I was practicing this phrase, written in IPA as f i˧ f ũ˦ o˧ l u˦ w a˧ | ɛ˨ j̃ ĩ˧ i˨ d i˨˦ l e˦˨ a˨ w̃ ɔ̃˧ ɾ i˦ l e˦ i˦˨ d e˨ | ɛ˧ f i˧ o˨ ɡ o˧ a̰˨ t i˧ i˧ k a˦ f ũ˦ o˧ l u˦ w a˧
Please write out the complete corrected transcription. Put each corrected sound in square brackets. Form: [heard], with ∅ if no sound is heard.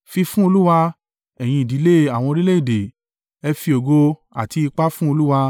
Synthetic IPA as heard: f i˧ f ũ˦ o˧ l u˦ w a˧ | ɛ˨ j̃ ĩ˧ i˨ d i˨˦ l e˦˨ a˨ w̃ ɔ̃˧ ɾ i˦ l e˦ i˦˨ d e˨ | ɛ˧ f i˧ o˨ ɡ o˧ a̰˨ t i˧ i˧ [k͡p] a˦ f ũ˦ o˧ l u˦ w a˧